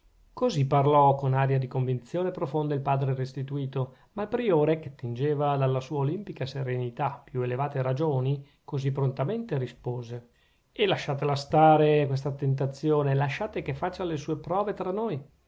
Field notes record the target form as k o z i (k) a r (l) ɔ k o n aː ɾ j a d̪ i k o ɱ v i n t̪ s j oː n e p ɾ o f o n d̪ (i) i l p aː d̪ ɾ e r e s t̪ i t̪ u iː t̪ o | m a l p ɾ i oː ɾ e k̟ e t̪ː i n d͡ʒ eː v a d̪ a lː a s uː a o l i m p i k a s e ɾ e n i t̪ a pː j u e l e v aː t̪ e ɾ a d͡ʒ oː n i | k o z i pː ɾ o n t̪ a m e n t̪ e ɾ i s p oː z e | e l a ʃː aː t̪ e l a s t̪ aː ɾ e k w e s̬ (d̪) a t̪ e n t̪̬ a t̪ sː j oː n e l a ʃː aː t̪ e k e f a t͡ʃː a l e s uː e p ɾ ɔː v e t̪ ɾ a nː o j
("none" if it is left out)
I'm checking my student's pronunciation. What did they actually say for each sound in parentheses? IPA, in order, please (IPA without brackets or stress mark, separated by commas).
p, l, a, t̪